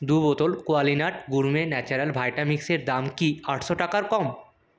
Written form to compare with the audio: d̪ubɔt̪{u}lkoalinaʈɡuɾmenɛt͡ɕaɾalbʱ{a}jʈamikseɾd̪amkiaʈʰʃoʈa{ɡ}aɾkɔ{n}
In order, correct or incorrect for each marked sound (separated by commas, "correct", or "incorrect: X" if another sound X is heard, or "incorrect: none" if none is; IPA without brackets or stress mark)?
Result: incorrect: o, correct, incorrect: k, incorrect: m